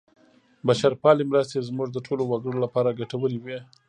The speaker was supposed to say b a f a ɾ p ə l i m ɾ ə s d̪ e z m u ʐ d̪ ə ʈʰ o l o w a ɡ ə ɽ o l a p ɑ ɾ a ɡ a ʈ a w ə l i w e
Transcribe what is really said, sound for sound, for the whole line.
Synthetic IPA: b a ʃ a ɾ p ɑ l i m ɾ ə s t̪ e z m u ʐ d̪ ə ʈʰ o l o w a ɡ ə ɽ o l a p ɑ ɾ a ɡ a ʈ a w ə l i w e